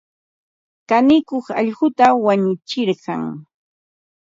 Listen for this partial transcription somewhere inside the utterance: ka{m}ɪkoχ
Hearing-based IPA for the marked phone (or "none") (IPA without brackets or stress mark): n